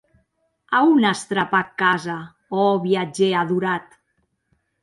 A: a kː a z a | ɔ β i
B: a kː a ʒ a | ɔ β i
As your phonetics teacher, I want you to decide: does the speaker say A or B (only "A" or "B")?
A